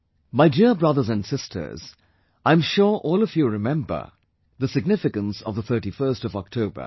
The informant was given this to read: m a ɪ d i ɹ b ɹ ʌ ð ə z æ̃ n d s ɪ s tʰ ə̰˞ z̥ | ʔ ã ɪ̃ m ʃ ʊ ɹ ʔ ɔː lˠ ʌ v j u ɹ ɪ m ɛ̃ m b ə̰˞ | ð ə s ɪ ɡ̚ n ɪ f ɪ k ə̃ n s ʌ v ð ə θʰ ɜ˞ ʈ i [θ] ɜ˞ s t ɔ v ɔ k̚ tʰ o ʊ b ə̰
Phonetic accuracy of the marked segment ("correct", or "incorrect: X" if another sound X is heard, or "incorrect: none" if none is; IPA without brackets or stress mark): incorrect: f